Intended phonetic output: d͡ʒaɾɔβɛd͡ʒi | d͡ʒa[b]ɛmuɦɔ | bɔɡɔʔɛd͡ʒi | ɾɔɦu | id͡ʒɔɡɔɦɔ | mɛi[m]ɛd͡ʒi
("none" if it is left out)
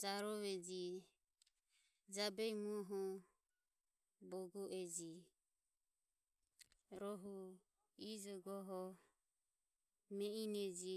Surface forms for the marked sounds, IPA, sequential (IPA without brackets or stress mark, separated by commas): b, n